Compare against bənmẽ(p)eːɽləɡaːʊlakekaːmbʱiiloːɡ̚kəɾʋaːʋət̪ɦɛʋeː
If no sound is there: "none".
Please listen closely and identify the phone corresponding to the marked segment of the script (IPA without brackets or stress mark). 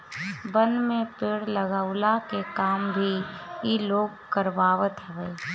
p